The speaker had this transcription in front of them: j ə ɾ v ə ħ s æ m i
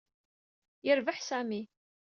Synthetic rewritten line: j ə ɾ v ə ħ s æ m i